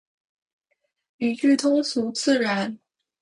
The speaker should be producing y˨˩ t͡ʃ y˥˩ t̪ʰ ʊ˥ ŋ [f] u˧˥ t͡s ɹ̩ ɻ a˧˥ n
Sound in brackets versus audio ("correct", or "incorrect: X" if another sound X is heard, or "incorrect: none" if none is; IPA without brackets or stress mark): incorrect: s